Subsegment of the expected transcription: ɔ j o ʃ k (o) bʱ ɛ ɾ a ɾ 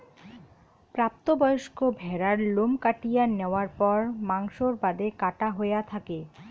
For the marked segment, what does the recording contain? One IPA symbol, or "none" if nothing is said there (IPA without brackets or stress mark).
o